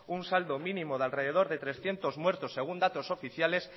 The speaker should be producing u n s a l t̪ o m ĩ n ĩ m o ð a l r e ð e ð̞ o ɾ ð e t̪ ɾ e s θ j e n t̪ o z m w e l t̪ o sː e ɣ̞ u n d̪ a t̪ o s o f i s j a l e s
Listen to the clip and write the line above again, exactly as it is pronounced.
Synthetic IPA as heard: u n s a l d̪ o m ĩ n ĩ m o ð a l r e ð e ð̞ o ɾ ð e t̪ ɾ e s θ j e n t̪ o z m w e ɾ t̪ o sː e ɣ̞ u n d̪ a t̪ o s o f i θ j a l e s